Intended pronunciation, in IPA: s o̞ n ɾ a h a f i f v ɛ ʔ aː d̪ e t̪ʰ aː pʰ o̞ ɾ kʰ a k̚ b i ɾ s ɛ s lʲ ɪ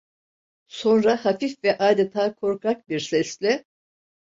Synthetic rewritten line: s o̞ n ɾ a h a f i f v ɛ ʔ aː d̪ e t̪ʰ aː kʰ o̞ ɾ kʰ a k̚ b i ɾ s ɛ s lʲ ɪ

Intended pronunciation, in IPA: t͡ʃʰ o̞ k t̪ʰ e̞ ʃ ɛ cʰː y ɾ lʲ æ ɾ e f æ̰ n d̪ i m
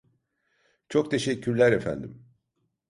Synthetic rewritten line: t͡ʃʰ o̞ k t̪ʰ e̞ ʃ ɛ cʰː y ɾ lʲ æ ɾ e f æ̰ n d̪ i m

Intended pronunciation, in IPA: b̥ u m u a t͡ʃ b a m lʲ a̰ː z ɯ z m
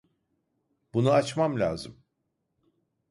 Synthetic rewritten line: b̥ u n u a t͡ʃ m a m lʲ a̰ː z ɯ m

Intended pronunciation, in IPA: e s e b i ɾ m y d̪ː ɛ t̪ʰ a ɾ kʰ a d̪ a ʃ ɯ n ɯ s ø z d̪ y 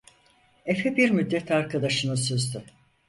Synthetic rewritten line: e f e b i ɾ m y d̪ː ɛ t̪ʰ a ɾ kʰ a d̪ a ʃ ɯ n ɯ s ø z d̪ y

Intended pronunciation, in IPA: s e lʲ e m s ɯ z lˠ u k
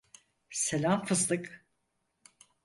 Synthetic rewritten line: s e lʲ a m f ɯ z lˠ ɯ k

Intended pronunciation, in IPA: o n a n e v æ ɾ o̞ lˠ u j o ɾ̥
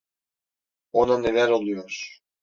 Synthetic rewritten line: o n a n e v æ ɾ o̞ lˠ u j o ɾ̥

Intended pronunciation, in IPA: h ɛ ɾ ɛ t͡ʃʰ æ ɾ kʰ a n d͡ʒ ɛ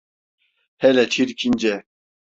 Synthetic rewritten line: h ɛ l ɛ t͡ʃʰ i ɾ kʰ i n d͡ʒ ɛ

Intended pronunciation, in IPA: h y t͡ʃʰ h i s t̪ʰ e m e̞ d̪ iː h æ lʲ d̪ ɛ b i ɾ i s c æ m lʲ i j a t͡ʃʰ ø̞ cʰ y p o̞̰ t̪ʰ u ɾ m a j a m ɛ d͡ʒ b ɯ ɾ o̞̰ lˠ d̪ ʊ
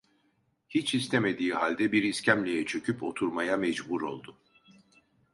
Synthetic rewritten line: h i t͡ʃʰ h i s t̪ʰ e m e̞ d̪ iː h a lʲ d̪ ɛ b i ɾ i s c æ m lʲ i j ɛ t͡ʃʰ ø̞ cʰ y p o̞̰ t̪ʰ u ɾ m a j a m ɛ d͡ʒ b u ɾ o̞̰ lˠ d̪ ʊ

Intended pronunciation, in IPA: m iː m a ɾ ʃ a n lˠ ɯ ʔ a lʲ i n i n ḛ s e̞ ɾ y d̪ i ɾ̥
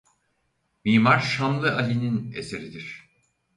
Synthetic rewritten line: m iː m a ɾ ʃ a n lˠ ɯ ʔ a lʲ i n i n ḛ s e̞ ɾ i d̪ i ɾ̥

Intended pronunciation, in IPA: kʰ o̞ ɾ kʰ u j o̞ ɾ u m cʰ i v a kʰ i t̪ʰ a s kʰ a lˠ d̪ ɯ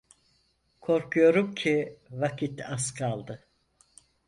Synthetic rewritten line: kʰ o̞ ɾ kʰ u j o̞ ɾ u m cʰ i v a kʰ i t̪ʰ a s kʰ a lˠ d̪ ɯ

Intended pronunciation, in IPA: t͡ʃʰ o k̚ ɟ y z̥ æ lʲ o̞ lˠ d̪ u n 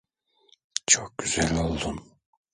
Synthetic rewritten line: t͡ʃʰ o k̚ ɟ y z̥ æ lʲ o̞ lˠ d̪ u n

